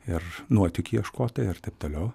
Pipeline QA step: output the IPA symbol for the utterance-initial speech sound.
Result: ɪ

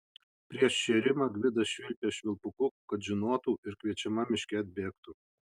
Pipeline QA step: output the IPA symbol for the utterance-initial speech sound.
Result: pʲ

